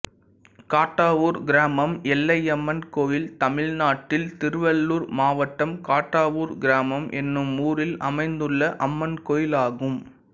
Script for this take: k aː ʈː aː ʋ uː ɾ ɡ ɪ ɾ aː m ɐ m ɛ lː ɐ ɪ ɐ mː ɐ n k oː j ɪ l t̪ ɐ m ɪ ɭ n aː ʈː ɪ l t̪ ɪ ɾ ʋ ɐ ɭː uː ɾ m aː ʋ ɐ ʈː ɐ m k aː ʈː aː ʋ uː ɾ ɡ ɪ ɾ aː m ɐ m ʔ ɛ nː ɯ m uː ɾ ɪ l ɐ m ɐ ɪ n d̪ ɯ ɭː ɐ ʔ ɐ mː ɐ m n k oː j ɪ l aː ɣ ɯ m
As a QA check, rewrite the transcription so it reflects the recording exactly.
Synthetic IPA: k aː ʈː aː ʋ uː ɾ ɡ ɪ ɾ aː m ɐ m ɛ lː ɐ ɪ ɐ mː ɐ n k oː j ɪ l t̪ ɐ m ɪ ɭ n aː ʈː ɪ l t̪ ɪ ɾ ʋ ɐ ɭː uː ɾ m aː ʋ ɐ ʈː ɐ m k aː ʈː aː ʋ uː ɾ ɡ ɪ ɾ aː m ɐ m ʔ ɛ nː ɯ m uː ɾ ɪ l ɐ m ɐ ɪ n d̪ ɯ ɭː ɐ ʔ ɐ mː ɐ n k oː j ɪ l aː ɣ ɯ m